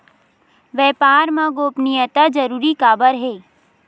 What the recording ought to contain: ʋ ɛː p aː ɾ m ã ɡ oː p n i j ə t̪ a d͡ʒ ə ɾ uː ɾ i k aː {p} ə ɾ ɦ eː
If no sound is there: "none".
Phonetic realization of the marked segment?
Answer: b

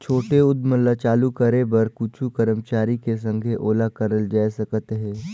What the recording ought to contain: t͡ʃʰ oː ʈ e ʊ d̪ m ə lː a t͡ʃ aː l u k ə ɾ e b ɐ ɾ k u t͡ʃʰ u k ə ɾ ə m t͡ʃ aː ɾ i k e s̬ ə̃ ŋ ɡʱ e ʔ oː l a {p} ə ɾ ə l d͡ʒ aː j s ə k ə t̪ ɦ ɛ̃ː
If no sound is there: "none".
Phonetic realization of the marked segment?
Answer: k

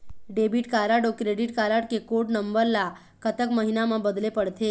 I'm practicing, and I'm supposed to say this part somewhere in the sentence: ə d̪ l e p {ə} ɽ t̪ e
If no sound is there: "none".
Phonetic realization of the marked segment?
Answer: ə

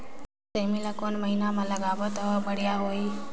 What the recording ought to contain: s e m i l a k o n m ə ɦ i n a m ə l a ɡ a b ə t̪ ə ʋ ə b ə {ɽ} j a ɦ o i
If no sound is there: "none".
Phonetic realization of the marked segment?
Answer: ɽ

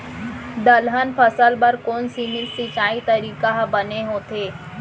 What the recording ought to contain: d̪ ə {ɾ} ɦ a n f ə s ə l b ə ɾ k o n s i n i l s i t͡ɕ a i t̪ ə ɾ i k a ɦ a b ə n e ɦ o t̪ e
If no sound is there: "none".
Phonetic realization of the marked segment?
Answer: l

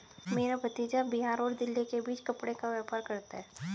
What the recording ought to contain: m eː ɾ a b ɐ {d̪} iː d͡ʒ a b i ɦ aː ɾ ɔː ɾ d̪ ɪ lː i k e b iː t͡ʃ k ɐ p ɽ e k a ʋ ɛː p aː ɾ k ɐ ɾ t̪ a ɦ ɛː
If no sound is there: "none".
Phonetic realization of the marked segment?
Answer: t̪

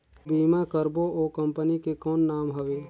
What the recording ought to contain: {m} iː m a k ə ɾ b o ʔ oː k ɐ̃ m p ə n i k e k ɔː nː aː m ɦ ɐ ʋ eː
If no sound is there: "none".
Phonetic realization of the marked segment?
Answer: b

